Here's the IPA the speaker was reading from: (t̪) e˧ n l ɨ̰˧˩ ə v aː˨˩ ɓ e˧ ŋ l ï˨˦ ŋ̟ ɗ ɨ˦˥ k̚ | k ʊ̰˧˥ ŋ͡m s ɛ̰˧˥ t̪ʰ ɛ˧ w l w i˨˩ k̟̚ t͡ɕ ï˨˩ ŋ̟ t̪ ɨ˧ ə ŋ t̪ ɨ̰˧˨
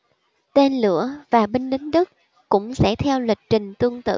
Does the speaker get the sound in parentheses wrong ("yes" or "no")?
no